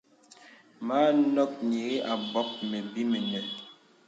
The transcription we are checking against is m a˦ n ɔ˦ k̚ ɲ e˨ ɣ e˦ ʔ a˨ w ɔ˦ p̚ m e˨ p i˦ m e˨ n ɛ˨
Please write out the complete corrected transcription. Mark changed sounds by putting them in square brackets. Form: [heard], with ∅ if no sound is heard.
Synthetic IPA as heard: m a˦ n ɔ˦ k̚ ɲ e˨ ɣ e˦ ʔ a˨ [b] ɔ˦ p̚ m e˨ [b] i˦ m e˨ n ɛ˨